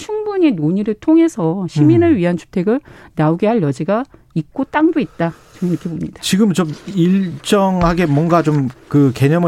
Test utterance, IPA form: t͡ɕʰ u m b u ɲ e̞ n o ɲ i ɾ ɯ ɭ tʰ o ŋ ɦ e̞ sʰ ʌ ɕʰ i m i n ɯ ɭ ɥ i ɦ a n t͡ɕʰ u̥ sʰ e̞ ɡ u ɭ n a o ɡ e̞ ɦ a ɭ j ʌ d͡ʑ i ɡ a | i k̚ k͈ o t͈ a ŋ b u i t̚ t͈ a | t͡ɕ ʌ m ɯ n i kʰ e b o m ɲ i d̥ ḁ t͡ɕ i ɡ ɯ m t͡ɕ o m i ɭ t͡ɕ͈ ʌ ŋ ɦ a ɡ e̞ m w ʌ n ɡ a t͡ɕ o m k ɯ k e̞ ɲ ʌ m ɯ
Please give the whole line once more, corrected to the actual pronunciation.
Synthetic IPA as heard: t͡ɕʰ u ŋ b u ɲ e̞ n o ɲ i ɾ ɯ ɭ tʰ o ŋ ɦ e̞ sʰ ʌ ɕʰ i m i n ɯ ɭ ɥ i ɦ a n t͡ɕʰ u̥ tʰ e̞ ɡ ɯ ɭ n a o ɡ e̞ ɦ a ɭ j ʌ d͡ʑ i ɡ a | i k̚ k͈ o t͈ a ŋ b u i t̚ t͈ a | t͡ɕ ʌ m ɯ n i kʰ e b o m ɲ i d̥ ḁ t͡ɕ i ɡ ɯ m t͡ɕ o m i ɭ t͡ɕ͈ ʌ ŋ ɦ a ɡ e̞ m w ʌ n ɡ a t͡ɕ o m k ɯ k e̞ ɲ ʌ m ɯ